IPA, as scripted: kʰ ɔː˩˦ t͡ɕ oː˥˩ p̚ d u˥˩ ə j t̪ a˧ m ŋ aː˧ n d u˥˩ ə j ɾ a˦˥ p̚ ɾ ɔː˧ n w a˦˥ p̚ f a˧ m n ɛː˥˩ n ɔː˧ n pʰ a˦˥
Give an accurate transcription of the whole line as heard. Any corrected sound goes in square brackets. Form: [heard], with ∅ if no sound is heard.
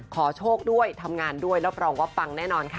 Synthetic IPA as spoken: kʰ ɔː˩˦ [t͡ɕʰ] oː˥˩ [k̚] d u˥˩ ə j [t̪ʰ] a˧ m ŋ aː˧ n d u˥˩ ə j ɾ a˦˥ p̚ ɾ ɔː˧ [ŋ] w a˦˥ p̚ f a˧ [ŋ] n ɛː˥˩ n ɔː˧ n [kʰ] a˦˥